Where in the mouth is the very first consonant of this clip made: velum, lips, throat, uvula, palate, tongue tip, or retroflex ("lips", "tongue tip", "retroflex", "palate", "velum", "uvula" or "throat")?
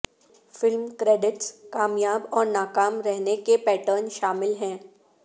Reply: lips